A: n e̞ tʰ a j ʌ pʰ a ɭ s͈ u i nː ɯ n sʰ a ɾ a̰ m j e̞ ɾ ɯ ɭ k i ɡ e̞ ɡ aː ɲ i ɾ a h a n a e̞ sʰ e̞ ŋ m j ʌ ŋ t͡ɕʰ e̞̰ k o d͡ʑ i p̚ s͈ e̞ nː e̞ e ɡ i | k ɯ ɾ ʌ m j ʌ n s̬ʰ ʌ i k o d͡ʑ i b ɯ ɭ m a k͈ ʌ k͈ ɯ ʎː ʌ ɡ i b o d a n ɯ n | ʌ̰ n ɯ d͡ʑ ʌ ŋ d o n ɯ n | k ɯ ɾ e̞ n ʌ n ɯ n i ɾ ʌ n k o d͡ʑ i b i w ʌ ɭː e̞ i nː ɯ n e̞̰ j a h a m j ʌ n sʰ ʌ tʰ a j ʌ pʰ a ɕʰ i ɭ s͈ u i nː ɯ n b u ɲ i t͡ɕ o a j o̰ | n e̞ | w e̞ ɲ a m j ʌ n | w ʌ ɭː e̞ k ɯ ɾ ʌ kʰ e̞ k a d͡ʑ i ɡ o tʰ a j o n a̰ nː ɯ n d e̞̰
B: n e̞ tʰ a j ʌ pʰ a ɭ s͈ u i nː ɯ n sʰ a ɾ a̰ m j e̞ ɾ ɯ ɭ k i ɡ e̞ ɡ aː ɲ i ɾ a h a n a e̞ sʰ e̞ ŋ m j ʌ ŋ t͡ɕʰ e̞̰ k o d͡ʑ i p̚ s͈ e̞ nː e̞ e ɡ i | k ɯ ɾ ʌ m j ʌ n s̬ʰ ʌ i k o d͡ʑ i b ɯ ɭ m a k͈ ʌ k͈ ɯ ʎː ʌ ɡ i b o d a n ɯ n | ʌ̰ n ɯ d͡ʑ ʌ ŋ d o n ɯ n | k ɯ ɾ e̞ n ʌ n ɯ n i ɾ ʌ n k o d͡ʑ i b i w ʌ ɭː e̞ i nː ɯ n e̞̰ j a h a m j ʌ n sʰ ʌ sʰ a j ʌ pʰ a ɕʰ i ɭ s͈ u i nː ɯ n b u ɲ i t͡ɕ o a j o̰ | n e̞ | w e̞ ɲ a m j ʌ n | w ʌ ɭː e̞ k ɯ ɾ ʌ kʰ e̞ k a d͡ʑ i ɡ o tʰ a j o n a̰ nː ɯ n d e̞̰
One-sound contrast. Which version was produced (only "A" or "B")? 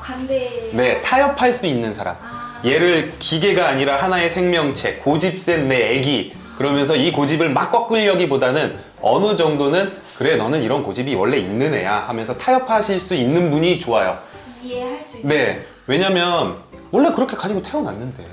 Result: A